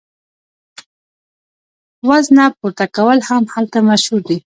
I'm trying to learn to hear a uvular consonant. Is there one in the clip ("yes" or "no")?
no